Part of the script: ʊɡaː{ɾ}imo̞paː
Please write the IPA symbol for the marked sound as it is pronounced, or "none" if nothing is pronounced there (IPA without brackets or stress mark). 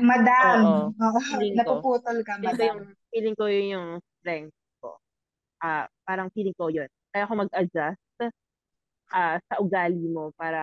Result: l